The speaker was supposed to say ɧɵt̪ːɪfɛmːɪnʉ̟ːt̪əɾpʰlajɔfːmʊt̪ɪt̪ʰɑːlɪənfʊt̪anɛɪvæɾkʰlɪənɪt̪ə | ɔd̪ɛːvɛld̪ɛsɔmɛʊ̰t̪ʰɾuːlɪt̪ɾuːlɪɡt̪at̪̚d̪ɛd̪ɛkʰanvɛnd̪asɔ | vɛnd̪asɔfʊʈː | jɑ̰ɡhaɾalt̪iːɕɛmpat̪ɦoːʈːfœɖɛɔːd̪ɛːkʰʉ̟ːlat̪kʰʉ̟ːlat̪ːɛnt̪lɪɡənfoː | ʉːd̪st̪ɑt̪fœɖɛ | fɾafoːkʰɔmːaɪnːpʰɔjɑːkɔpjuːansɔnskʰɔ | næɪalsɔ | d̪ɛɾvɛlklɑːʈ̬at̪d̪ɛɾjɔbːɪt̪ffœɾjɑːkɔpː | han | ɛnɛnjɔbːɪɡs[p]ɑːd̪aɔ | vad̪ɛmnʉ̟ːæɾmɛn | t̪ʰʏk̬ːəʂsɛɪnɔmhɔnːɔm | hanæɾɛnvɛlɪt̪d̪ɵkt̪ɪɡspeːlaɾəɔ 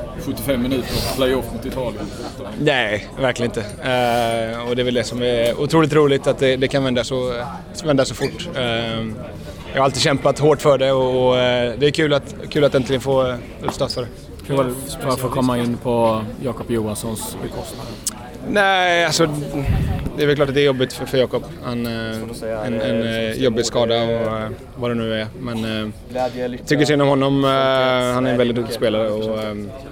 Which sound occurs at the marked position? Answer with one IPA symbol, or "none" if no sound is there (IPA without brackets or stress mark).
k